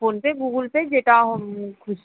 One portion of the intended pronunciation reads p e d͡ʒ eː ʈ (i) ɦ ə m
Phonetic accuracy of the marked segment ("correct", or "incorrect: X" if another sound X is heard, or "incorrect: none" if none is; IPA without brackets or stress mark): incorrect: a